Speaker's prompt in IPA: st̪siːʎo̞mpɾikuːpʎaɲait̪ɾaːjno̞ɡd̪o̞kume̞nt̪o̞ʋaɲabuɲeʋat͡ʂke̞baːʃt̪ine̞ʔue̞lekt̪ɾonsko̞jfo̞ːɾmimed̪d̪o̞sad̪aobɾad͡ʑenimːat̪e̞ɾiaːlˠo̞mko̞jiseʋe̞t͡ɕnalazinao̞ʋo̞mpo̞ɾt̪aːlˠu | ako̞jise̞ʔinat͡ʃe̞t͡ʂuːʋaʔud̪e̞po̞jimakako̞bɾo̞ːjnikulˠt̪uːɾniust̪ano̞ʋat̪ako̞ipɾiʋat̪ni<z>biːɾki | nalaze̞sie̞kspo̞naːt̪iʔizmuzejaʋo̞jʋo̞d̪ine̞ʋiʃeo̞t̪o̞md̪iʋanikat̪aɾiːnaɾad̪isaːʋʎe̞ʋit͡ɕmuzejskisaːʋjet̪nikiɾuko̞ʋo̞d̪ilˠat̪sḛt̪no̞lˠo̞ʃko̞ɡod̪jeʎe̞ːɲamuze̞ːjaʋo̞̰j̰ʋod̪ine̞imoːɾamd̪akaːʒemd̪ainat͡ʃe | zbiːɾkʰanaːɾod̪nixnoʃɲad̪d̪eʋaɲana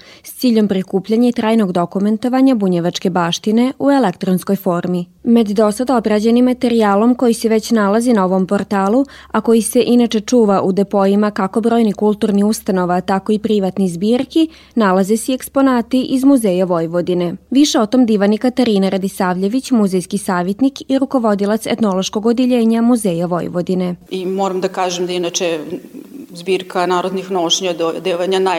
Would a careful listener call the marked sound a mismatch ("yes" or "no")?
no